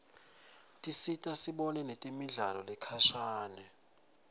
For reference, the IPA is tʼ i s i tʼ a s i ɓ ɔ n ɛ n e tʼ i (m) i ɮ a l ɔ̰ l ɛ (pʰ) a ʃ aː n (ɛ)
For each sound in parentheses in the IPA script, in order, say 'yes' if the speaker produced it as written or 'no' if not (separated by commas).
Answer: yes, no, yes